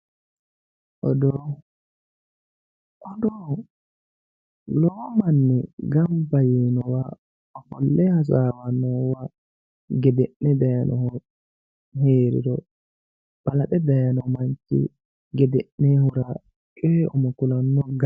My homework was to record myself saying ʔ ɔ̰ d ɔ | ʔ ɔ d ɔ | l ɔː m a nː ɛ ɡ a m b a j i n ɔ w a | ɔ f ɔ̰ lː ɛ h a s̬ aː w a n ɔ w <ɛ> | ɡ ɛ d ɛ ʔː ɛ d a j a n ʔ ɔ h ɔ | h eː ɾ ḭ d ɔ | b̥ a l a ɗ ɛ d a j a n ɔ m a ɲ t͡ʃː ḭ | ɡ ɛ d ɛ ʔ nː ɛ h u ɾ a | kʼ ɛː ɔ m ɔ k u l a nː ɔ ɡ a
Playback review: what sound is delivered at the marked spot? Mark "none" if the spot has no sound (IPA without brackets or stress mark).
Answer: a